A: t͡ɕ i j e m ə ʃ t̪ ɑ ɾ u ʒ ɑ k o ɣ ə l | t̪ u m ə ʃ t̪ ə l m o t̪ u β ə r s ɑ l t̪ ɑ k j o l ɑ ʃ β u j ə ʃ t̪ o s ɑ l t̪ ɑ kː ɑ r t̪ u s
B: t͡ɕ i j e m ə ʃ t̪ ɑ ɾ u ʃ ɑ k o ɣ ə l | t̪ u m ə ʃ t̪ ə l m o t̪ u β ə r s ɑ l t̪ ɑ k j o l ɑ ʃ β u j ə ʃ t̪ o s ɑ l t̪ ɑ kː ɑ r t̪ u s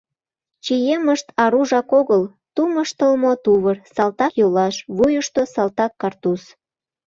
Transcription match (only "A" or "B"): A